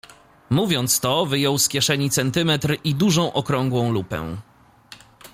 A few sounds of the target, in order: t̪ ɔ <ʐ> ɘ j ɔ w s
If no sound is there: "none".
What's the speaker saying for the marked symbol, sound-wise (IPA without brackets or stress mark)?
v